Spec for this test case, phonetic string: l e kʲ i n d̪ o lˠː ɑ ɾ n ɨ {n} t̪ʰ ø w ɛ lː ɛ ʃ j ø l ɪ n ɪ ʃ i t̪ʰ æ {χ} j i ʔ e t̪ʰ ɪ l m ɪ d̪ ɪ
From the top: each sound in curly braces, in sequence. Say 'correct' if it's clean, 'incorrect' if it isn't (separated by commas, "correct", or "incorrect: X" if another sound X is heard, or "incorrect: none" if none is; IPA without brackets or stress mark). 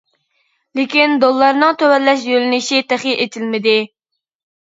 incorrect: ŋ, correct